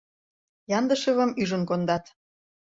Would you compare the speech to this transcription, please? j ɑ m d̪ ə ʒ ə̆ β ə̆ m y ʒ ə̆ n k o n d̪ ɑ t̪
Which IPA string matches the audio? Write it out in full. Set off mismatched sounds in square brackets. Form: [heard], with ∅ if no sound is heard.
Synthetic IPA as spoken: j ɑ [n] d̪ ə [ʃ] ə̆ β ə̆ m y ʒ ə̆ n k o n d̪ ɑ t̪